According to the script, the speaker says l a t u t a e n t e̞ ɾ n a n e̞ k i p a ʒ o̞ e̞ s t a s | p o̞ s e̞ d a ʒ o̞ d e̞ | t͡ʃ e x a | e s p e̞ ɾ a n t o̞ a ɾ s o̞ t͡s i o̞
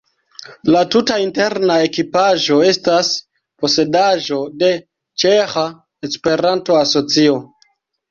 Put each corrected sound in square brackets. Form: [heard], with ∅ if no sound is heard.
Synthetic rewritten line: l a t u t a [i] n t e̞ ɾ n a [∅] e̞ k i p a ʒ o̞ e̞ s t a s | p o̞ s e̞ d a ʒ o̞ d e̞ | t͡ʃ e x a | e s p e̞ ɾ a n t o̞ a [∅] s o̞ t͡s i o̞